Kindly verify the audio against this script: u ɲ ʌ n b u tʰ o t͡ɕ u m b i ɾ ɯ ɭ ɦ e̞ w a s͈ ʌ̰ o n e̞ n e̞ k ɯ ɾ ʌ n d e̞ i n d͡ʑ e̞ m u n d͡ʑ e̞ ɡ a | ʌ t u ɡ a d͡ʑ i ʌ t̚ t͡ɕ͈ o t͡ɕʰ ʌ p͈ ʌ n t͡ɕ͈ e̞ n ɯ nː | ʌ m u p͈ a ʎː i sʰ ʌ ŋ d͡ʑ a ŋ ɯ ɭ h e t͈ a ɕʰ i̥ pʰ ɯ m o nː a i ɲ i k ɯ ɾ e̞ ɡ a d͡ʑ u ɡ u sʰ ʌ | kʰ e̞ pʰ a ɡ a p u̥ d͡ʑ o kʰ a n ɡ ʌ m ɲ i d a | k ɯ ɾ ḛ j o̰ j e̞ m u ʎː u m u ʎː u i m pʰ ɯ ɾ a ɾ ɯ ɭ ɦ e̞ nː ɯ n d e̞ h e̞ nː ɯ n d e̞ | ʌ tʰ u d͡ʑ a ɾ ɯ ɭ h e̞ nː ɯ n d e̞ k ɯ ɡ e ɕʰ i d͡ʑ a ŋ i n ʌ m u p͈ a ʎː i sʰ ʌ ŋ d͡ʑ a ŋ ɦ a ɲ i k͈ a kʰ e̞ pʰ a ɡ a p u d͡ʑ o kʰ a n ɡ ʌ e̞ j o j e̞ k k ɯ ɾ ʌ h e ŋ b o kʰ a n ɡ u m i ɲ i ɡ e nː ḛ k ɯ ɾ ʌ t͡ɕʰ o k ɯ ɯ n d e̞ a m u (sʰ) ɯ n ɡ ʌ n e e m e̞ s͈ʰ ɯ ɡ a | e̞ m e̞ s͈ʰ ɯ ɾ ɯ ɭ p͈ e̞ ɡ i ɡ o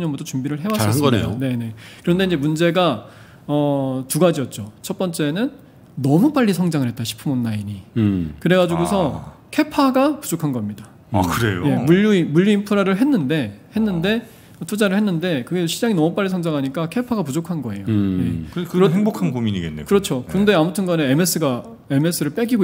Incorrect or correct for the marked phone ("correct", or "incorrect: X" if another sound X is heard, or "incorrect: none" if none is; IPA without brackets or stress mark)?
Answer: incorrect: tʰ